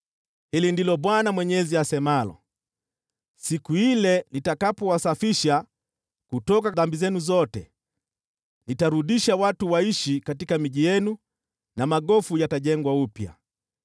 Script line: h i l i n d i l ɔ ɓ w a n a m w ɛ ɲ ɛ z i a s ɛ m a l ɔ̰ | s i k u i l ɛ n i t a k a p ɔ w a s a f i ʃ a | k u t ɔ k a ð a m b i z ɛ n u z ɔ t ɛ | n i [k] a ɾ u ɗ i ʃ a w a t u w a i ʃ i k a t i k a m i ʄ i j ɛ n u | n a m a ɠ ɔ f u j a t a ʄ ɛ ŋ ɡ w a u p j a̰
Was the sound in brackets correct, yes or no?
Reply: no